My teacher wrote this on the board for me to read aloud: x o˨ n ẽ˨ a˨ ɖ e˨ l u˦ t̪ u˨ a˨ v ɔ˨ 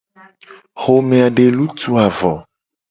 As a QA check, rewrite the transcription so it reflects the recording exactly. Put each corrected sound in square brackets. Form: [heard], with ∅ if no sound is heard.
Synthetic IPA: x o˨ [m] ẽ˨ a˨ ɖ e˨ l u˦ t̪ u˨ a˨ v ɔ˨